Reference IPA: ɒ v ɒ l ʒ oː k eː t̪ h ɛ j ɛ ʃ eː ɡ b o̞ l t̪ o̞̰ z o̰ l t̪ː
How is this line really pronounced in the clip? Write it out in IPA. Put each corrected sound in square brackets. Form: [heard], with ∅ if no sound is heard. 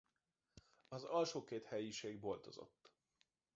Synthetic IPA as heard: ɒ [z] ɒ l [ʃ] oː k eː t̪ h ɛ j [i] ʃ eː ɡ b o̞ l t̪ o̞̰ z o̰ [∅] t̪ː